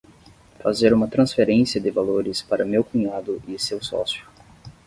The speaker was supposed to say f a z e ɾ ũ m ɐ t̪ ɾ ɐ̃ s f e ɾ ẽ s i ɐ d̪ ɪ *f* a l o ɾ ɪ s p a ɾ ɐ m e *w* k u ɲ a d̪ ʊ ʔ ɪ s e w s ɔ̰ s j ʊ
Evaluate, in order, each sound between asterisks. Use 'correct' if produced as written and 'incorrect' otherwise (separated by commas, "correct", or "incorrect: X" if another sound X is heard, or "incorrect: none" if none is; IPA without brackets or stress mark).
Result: incorrect: v, correct